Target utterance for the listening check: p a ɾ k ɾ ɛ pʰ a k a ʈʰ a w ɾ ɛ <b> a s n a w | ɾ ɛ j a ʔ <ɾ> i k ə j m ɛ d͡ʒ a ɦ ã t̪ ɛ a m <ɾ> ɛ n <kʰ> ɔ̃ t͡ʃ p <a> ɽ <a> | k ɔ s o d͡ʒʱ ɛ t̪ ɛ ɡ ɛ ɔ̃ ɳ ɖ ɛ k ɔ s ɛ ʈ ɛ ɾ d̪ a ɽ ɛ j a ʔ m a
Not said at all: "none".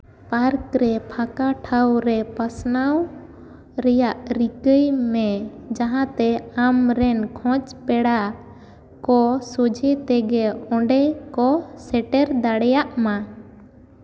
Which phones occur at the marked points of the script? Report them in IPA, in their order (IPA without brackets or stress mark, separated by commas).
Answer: p, ɾ, ɾ, kʰ, ɛ, a